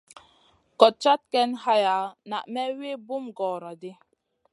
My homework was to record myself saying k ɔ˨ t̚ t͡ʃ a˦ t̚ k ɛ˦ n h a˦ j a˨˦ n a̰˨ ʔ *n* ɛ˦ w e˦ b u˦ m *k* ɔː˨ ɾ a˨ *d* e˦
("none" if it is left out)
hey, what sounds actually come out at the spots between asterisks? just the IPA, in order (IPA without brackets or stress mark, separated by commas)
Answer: m, ɡ, d